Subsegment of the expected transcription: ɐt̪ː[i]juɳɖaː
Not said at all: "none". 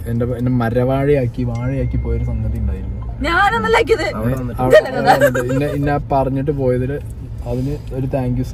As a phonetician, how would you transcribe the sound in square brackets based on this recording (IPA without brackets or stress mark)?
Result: i